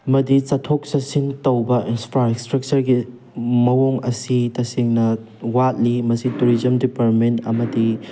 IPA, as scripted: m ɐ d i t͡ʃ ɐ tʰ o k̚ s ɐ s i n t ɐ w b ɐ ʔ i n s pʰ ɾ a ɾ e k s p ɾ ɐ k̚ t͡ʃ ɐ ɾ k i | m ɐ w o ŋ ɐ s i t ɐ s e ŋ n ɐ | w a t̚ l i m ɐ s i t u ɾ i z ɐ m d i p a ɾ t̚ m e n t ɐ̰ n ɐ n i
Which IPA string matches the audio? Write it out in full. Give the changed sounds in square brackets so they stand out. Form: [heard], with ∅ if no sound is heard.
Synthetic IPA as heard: m ɐ d i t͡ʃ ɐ tʰ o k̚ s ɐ s i n t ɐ w b ɐ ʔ i n s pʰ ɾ a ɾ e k s [t] ɾ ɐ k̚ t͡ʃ ɐ ɾ [ɡ] i | m ɐ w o ŋ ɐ s i t ɐ s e ŋ n ɐ | w a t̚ l i m ɐ s i t u ɾ i z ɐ m d i p a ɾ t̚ m e n t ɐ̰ [m] ɐ [d] i